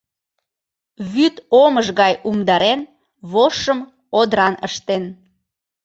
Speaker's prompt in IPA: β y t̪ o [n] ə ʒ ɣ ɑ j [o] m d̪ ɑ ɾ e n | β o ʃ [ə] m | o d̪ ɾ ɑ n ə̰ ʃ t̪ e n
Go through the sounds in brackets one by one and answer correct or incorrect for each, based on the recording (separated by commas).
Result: incorrect, incorrect, correct